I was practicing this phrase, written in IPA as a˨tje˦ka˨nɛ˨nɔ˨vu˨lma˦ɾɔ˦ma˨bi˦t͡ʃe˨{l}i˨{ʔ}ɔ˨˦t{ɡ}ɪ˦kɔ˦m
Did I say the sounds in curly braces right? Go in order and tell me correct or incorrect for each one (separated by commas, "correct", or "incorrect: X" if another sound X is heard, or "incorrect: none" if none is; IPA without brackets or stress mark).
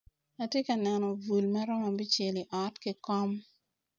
correct, correct, incorrect: k